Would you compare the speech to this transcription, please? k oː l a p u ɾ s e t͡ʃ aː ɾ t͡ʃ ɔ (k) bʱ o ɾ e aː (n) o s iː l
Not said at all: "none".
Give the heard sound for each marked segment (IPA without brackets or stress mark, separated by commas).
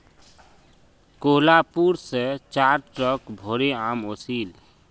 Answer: k, m